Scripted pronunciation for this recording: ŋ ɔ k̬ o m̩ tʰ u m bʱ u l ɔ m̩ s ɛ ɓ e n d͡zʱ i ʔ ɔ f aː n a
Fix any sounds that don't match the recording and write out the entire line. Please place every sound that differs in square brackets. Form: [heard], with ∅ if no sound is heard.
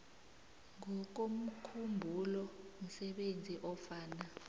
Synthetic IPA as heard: ŋ ɔ k̬ o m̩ [kʰ] u m bʱ u l ɔ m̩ s ɛ ɓ e n d͡zʱ i ʔ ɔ f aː n a